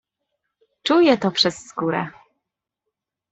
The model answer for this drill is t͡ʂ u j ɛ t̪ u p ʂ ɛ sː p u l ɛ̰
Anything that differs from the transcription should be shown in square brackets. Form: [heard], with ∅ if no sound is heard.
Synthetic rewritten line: t͡ʂ u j ɛ t̪ [ɔ] p ʂ ɛ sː [k] u [ɾ] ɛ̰